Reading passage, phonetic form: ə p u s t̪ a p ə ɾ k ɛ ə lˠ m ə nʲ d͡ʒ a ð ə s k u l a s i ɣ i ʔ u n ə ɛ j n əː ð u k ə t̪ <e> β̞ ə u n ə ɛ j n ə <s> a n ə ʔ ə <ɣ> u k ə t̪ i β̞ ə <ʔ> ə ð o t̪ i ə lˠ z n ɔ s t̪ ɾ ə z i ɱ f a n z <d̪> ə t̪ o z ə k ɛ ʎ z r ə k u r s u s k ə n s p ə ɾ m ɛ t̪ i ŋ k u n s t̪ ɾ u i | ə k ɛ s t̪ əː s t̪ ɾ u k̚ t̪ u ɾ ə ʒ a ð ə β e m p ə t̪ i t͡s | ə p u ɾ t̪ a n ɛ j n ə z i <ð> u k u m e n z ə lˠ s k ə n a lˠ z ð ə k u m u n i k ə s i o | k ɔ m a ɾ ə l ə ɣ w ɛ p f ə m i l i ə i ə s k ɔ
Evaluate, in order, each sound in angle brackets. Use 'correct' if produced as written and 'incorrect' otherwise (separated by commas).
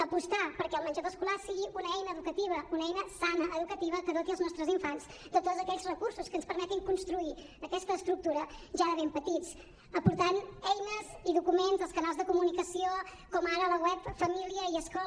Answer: incorrect, correct, incorrect, incorrect, correct, correct